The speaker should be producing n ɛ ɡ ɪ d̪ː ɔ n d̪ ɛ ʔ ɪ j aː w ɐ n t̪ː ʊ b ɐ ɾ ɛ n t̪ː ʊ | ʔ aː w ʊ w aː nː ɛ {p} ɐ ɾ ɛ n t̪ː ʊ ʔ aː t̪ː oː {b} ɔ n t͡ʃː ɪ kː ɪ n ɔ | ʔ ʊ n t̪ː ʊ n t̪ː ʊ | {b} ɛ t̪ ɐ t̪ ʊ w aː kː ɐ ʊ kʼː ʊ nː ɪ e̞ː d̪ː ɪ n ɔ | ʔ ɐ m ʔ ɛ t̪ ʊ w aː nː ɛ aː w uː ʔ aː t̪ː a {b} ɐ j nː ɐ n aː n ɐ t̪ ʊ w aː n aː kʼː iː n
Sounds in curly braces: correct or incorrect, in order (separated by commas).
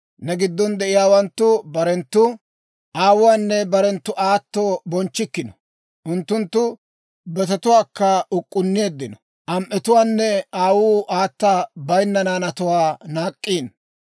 incorrect, correct, correct, correct